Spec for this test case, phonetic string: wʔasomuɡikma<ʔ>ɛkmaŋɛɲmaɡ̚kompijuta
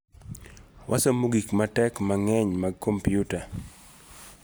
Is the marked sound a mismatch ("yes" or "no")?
yes